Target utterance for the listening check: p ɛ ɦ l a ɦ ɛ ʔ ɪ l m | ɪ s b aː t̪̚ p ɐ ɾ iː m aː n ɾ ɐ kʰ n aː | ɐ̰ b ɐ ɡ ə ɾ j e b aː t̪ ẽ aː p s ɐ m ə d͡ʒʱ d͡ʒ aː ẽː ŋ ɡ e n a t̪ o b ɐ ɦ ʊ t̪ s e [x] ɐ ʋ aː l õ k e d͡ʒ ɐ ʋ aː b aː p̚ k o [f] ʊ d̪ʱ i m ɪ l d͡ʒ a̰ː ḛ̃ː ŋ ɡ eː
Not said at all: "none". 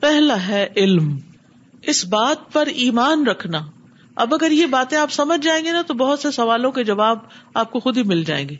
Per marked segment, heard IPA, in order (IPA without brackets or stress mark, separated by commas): s, x